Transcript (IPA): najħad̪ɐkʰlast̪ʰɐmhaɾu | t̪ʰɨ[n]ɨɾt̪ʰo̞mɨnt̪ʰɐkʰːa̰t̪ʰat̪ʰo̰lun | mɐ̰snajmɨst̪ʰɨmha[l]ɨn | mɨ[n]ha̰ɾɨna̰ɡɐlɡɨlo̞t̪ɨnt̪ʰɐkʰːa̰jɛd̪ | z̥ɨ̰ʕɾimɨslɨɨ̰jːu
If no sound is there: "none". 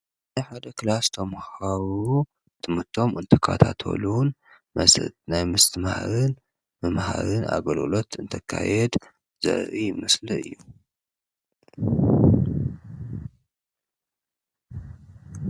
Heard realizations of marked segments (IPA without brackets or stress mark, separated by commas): m, ɾ, m